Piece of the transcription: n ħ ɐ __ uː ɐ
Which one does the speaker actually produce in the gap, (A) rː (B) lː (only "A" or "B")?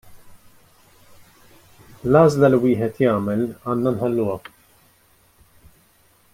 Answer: B